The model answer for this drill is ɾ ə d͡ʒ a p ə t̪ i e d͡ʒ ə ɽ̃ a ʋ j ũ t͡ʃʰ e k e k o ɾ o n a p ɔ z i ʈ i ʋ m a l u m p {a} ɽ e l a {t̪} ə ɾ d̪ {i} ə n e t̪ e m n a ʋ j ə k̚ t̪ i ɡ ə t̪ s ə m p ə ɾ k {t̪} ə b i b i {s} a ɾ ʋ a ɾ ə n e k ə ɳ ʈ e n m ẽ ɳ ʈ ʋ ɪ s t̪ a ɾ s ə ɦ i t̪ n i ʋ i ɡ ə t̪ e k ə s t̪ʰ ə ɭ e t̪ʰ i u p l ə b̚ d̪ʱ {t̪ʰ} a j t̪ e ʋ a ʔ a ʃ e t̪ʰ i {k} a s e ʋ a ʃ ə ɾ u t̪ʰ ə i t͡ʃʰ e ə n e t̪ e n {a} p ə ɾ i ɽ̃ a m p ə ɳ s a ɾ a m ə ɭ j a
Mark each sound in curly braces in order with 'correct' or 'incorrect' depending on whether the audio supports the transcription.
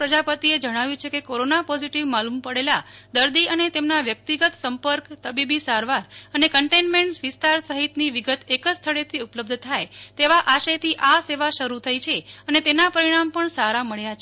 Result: incorrect, incorrect, correct, correct, correct, correct, incorrect, correct

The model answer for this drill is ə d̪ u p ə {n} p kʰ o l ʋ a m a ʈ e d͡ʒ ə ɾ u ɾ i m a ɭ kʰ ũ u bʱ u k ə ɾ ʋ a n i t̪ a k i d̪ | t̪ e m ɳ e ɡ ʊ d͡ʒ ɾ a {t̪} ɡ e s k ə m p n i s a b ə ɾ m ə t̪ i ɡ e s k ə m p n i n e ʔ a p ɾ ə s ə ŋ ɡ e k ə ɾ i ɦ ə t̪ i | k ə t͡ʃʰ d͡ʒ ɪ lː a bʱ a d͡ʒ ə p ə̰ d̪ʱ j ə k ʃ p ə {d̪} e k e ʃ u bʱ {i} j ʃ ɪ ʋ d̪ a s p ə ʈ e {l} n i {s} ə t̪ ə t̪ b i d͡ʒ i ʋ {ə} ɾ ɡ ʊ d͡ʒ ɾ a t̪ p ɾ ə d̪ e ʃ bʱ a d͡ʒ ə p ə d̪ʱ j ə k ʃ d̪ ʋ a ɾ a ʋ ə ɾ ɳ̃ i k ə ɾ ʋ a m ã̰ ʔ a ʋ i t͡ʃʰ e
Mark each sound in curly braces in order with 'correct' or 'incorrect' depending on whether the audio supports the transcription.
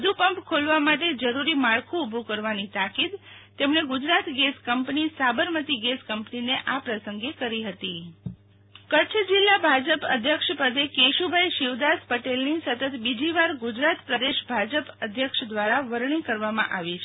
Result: incorrect, correct, correct, incorrect, correct, correct, incorrect

